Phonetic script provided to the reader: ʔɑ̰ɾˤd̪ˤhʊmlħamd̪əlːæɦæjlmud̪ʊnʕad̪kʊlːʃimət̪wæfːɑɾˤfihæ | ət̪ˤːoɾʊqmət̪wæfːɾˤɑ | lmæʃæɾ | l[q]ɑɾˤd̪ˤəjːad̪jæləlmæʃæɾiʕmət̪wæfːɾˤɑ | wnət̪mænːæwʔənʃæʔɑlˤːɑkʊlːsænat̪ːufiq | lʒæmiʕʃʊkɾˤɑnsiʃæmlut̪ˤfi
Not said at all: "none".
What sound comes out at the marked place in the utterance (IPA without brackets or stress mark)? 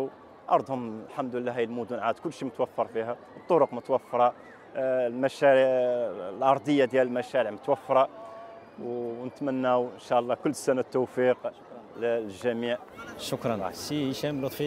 ʔ